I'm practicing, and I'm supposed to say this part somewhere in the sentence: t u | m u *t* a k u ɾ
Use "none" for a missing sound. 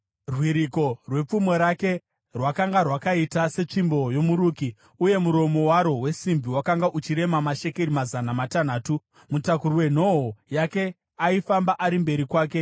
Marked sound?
t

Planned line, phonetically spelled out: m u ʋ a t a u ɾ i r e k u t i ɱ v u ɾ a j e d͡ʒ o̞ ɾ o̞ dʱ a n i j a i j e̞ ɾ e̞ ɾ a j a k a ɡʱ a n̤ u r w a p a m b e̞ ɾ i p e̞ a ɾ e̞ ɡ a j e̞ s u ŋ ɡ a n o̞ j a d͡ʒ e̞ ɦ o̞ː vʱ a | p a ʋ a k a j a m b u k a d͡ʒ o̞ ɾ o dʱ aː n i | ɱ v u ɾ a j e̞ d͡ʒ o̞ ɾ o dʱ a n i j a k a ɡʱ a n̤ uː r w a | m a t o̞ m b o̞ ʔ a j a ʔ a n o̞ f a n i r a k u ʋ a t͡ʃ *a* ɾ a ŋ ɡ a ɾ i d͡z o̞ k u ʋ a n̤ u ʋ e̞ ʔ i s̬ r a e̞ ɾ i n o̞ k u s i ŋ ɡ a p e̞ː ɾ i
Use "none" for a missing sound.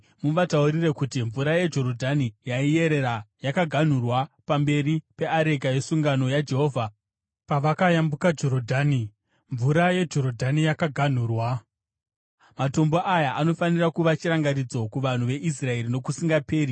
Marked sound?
i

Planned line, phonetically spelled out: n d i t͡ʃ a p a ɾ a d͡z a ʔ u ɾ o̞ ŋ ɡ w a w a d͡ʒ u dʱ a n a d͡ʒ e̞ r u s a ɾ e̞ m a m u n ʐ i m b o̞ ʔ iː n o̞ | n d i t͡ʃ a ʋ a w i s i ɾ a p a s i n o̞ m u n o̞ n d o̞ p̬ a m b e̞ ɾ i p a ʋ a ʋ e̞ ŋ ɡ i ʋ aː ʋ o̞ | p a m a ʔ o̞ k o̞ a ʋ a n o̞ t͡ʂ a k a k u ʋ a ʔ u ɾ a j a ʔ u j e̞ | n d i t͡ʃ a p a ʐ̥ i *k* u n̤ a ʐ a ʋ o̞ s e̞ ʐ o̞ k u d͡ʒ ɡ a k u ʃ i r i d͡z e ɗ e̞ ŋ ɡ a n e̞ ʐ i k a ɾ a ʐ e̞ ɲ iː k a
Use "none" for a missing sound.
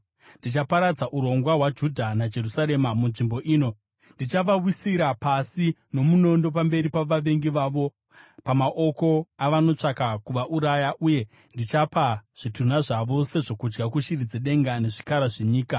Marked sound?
t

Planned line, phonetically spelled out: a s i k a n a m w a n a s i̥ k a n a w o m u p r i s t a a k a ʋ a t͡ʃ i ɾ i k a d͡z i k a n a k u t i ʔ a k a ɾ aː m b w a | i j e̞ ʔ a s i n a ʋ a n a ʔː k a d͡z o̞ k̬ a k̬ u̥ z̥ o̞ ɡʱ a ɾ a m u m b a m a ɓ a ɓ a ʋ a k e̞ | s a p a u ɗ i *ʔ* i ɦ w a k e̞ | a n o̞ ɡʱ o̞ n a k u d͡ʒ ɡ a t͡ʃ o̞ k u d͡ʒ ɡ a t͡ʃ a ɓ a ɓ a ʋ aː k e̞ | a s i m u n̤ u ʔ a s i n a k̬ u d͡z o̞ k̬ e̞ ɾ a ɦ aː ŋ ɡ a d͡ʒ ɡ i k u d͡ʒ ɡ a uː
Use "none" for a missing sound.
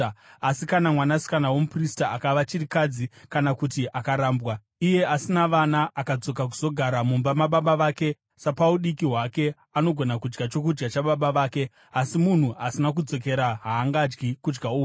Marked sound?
k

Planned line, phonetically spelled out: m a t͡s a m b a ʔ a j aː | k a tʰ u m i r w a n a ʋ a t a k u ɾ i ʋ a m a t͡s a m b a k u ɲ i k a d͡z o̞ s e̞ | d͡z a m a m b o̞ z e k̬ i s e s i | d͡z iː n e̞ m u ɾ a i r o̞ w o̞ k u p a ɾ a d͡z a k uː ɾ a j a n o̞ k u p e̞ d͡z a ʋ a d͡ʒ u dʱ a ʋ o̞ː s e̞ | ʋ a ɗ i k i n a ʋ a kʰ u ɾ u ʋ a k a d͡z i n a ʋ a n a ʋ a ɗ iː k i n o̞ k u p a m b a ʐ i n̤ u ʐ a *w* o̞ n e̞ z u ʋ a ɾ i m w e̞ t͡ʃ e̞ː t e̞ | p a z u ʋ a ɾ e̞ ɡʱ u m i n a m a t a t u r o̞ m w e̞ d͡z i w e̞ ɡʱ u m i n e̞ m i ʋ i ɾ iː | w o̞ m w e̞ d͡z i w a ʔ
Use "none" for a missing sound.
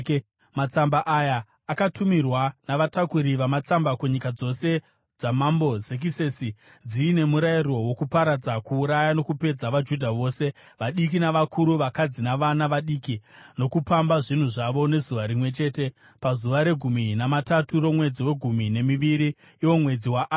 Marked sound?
ʋ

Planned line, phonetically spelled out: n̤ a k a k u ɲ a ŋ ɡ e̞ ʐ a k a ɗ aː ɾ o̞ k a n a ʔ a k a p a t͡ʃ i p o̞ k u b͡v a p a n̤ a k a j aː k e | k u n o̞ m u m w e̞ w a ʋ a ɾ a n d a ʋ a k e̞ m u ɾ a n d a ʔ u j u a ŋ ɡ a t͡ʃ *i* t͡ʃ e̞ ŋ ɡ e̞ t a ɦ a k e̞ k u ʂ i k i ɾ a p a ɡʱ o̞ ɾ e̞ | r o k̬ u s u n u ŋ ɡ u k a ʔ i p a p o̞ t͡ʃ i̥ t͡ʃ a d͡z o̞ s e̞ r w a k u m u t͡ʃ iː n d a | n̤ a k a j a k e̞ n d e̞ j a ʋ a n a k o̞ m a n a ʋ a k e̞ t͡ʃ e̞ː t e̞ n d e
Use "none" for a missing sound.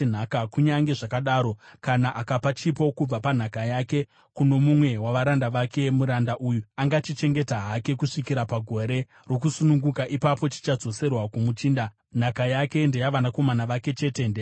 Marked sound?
i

